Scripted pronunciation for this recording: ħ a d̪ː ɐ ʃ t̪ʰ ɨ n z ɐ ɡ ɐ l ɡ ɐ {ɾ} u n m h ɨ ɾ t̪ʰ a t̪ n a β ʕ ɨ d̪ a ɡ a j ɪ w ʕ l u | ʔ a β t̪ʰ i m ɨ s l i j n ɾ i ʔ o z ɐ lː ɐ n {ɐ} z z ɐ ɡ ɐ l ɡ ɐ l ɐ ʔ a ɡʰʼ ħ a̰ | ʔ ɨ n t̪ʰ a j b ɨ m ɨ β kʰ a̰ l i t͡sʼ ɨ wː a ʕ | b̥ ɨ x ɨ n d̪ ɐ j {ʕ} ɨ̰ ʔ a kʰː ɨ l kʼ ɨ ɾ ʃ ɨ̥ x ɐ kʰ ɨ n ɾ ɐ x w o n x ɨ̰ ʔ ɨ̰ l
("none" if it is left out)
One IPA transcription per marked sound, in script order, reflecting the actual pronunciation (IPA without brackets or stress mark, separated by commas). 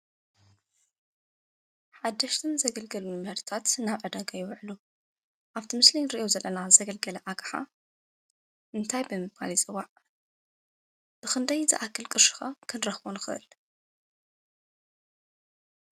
l, a, z